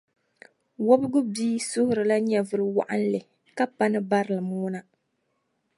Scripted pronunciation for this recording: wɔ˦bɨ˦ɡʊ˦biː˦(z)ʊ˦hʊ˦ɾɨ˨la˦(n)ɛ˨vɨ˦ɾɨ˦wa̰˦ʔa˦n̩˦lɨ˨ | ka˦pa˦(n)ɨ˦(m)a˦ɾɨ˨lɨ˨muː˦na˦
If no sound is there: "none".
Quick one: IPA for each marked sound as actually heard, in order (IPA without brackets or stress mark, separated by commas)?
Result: s, ɲ, n, b